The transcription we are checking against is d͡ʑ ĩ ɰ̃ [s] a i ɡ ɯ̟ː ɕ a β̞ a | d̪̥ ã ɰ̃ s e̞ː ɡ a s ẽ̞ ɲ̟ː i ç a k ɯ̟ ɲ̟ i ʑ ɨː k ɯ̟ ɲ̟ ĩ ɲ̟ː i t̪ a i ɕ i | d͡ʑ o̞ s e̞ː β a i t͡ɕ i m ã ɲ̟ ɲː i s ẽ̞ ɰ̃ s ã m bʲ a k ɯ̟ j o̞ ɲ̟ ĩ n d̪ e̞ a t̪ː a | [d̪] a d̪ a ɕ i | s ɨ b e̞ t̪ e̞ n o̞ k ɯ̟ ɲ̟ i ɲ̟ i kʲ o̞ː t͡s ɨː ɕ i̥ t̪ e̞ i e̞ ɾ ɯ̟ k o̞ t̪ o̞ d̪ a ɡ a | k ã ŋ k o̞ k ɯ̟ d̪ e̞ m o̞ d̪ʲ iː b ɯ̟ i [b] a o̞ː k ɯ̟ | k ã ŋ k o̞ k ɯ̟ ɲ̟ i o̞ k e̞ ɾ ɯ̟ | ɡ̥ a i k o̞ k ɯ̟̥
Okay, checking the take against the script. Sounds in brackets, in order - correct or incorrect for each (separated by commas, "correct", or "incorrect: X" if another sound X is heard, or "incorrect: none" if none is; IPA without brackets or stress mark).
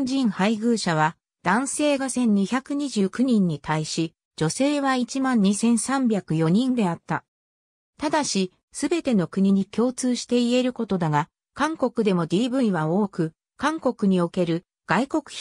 incorrect: h, incorrect: t̪, incorrect: β